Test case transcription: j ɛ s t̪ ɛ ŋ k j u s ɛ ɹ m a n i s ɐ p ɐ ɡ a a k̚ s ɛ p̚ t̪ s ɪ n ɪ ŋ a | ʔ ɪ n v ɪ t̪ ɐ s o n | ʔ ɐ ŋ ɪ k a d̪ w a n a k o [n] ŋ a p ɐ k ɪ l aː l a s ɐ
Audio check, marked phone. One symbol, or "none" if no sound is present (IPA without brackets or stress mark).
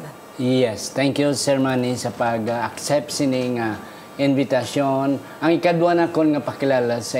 n